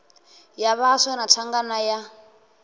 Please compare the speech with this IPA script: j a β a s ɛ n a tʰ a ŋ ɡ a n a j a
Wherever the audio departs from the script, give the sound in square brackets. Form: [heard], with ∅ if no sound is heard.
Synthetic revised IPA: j a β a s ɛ n a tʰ a ŋ ɡ a n a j a